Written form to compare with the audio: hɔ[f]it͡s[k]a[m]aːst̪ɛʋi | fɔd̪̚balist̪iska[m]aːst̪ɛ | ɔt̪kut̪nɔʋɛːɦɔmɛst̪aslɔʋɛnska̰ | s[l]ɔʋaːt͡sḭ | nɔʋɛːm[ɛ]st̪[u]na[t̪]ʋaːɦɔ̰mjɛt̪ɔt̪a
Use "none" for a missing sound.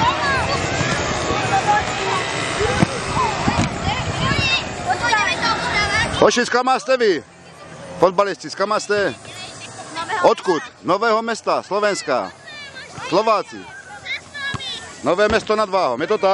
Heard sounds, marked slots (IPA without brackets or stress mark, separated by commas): ʃ, k, m, m, l, ɛ, ɔ, d̪